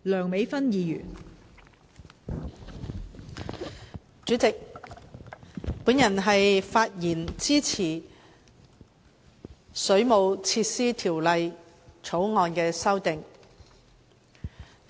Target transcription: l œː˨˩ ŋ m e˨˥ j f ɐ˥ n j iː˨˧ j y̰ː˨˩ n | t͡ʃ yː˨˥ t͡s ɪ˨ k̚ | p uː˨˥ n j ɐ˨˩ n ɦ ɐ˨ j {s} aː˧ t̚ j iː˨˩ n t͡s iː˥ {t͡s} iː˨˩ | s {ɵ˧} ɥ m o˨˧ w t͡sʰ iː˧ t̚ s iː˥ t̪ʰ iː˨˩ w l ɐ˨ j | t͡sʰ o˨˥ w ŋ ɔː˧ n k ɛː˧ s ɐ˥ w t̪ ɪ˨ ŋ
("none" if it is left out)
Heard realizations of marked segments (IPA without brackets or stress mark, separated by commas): f, t͡sʰ, ɵ˨˥